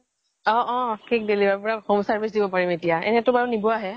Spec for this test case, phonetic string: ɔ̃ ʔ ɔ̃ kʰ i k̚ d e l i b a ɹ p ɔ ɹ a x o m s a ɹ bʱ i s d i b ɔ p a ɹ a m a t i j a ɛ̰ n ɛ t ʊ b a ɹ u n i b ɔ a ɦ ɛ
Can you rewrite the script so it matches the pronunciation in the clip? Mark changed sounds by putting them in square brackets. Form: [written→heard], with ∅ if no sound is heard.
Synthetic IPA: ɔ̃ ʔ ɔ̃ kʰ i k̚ d e l i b a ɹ p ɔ ɹ a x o m s a ɹ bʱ i s d i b ɔ p a ɹ [a→i] m [a→e] t i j a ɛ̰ n ɛ t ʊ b a ɹ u n i b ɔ a ɦ ɛ